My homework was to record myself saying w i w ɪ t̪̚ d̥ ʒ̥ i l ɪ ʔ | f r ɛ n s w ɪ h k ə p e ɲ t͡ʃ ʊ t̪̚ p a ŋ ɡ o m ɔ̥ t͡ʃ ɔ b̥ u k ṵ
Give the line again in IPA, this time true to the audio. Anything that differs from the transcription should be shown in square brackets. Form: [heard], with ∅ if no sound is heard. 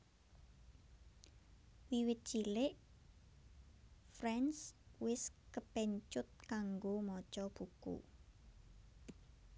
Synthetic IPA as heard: w i w ɪ t̪̚ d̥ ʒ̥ i l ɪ ʔ | f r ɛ n s w ɪ [s] k ə p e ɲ t͡ʃ ʊ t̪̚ [k] a ŋ ɡ o m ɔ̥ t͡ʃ ɔ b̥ u k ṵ